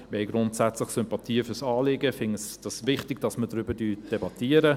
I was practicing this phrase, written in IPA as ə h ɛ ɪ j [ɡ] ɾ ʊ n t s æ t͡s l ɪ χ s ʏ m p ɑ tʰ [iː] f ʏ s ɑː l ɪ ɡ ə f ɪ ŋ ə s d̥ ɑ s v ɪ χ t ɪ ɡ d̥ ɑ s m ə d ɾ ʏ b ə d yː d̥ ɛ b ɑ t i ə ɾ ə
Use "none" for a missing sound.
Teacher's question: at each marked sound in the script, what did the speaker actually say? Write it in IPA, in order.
ɡ, iː

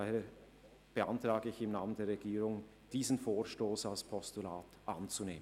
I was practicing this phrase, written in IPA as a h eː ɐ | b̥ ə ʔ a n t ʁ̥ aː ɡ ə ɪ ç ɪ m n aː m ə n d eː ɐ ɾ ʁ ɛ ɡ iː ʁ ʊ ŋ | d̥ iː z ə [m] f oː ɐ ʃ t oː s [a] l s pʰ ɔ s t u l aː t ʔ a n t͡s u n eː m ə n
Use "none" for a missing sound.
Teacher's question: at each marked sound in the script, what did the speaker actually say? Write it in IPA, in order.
n, a

